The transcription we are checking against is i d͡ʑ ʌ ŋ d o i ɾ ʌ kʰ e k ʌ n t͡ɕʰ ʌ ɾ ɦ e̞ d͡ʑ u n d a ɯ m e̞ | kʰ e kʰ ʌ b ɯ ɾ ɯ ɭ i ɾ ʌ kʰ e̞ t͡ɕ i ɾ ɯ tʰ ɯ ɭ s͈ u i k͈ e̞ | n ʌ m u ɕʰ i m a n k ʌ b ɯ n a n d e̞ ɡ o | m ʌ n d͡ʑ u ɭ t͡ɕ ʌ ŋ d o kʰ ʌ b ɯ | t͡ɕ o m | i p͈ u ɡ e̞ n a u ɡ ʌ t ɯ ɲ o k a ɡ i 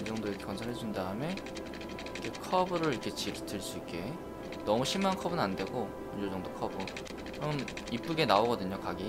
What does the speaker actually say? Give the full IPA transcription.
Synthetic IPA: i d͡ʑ ʌ ŋ d o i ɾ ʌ kʰ e k ʌ n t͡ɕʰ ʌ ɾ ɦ e̞ d͡ʑ u n d a ɯ m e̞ | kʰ e kʰ ʌ b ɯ ɾ ɯ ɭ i ɾ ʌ kʰ e̞ t͡ɕ i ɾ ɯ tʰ ɯ ɭ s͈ u i k͈ e̞ | n ʌ m u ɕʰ i m a n kʰ ʌ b ɯ n a n d e̞ ɡ o | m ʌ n d͡ʑ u ɭ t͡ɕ ʌ ŋ d o kʰ ʌ b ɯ | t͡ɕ o m | i p͈ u ɡ e̞ n a o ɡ ʌ d ɯ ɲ o k a ɡ i